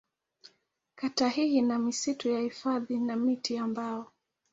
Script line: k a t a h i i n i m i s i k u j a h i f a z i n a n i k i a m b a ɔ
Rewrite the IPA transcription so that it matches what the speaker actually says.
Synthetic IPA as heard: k a t a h i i n a m i s i t u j a h i f a ð i n a m i t i a m b a ɔ